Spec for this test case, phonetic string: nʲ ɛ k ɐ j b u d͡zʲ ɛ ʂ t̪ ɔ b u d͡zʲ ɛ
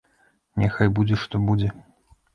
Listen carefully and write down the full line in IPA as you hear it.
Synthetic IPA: nʲ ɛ x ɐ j b u d͡zʲ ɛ ʂ t̪ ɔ b u d͡zʲ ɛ